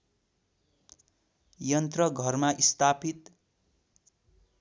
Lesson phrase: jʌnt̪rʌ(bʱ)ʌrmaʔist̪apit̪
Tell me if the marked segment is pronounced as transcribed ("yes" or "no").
no